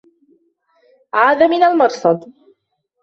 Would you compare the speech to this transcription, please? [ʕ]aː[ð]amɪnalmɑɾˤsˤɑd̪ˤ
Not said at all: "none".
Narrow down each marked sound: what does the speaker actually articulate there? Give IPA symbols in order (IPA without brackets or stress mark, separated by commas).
ʕ, ð